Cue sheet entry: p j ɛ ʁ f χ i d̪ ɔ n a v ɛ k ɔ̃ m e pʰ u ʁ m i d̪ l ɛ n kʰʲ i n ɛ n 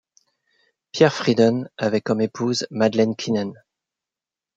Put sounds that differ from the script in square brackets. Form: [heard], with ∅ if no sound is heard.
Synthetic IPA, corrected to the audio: p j ɛ ʁ f χ i d̪ ɔ n a v ɛ k [ɔ] m e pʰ u [z] m [a] d̪ l ɛ n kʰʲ i n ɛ n